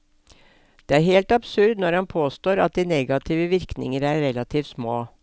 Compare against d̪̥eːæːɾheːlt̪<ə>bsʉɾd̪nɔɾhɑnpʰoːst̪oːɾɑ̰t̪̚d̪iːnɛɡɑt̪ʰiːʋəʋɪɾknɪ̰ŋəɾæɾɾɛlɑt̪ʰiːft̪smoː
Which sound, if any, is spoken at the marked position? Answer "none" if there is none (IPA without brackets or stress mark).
ɑ